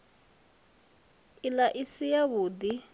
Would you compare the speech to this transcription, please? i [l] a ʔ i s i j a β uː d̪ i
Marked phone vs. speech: correct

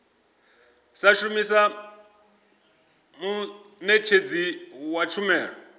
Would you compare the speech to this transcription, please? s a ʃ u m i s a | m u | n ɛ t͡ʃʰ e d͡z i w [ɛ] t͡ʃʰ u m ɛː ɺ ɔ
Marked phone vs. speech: incorrect: a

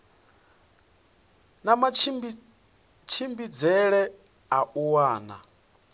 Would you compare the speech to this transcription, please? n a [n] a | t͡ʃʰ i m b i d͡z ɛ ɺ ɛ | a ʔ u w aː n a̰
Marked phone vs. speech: incorrect: m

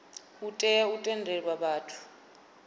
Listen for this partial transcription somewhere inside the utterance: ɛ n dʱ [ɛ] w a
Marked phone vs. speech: correct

